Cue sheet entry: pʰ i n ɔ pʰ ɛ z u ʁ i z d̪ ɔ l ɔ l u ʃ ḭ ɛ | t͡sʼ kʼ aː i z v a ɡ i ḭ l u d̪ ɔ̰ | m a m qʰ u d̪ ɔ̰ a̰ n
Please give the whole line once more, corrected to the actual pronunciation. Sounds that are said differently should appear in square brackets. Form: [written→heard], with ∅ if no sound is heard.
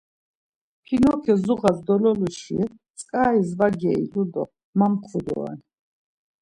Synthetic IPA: pʰ i n ɔ [pʰ→kʰ] ɛ z u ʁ [i→a] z d̪ ɔ l ɔ l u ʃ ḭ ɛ | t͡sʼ kʼ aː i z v a ɡ [i→ɛ] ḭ l u d̪ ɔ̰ | m a m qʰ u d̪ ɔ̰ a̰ n